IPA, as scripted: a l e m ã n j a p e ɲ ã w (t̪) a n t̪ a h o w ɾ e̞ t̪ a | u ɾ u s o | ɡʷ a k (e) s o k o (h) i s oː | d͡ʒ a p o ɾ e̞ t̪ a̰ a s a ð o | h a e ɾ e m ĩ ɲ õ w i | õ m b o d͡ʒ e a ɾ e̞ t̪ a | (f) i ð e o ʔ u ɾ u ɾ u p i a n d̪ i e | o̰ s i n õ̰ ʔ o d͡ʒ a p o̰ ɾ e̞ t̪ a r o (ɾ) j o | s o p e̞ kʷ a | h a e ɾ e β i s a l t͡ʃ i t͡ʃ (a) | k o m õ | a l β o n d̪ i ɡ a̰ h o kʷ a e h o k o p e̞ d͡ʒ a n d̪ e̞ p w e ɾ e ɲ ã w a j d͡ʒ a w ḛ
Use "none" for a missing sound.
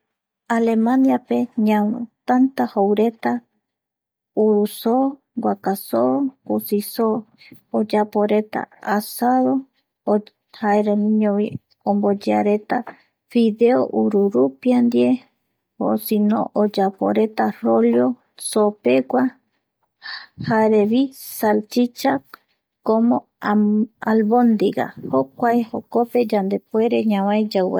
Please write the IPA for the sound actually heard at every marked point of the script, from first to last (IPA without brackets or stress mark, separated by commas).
t̪, a, s, f, l, a